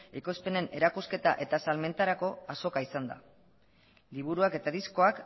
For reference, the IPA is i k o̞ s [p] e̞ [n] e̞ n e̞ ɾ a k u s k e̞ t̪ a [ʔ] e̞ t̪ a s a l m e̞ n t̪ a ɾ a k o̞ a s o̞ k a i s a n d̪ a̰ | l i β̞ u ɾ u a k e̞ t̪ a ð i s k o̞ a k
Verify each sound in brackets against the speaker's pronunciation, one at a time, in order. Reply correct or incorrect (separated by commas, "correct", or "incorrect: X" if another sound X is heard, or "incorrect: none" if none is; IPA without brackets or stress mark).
correct, correct, correct